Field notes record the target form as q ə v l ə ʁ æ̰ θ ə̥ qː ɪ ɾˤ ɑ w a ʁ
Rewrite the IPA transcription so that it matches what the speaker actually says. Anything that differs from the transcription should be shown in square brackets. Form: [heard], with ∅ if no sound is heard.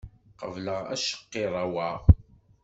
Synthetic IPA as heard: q ə v l ə ʁ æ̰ [ʃ] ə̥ qː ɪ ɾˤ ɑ w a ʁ